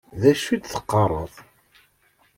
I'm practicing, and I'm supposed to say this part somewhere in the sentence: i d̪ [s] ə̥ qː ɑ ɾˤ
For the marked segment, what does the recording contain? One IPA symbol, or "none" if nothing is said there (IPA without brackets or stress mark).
θ